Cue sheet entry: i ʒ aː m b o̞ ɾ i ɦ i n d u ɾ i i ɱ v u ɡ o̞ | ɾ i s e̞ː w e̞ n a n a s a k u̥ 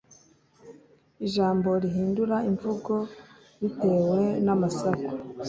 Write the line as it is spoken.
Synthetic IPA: i ʒ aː m b o̞ ɾ i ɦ iː n d u ɾ a i ɱ v u ɡ o̞ | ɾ i t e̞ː w e̞ n a m a s a k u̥